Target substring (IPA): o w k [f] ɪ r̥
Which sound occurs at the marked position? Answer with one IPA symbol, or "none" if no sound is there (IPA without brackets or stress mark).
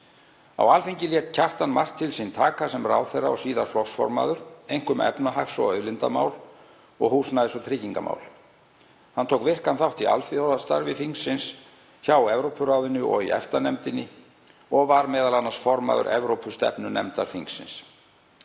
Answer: v